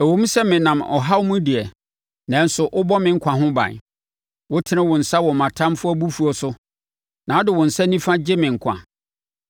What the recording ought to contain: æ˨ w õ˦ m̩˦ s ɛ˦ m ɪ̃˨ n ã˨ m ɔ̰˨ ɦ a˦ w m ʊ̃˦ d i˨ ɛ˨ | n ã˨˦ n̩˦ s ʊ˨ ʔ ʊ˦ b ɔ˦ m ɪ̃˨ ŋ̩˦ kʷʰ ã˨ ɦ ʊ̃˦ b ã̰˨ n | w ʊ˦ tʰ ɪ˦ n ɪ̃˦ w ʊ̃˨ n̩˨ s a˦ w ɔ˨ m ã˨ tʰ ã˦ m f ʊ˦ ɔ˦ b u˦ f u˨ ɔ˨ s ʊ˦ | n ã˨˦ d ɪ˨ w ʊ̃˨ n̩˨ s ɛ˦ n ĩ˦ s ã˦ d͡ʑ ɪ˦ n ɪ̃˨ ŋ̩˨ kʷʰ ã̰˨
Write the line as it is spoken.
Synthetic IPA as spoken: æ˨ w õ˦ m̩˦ s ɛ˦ m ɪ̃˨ n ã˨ m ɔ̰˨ ɦ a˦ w m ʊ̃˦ d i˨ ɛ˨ | n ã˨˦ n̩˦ s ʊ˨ ʔ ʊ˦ b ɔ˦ m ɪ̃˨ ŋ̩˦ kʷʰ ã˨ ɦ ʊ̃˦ b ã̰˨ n | w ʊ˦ tʰ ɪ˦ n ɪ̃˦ w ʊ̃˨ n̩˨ s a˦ w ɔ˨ m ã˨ tʰ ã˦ m f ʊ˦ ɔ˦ b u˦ f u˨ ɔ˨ s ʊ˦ | n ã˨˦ d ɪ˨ w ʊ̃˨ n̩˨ s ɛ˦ n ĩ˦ f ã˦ d͡ʑ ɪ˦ m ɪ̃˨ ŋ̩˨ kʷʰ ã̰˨